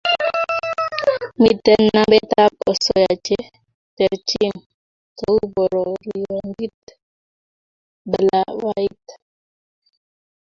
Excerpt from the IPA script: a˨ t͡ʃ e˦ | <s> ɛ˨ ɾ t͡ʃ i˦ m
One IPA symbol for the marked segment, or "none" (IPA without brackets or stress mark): t